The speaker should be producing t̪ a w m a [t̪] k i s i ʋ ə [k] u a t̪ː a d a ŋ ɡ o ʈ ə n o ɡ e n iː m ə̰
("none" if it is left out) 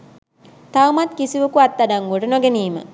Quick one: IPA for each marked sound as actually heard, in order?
t̪, k

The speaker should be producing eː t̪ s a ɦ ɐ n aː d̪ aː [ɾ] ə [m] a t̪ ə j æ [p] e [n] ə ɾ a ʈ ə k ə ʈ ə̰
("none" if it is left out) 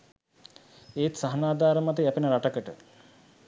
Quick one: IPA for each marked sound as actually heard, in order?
ɾ, m, p, n

